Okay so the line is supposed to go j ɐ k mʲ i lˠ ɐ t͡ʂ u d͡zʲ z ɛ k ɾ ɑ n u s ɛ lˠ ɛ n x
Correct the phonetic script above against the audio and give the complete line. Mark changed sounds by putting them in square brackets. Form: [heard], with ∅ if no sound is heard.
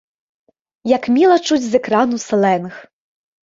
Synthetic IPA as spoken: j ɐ k mʲ i lˠ ɐ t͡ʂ u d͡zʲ z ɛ k ɾ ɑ n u s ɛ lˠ ɛ n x